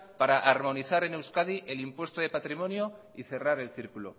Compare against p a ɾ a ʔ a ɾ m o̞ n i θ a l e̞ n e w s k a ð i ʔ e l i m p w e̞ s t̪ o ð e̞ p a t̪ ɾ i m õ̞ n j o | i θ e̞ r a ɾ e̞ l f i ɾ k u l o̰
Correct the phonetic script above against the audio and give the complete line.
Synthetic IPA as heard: p a ɾ a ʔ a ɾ m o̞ n i θ a ɾ e̞ n e w s k a ð i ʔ e l i m p w e̞ s t̪ o ð e̞ p a t̪ ɾ i m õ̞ n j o | i θ e̞ r a ɾ e̞ l θ i ɾ k u l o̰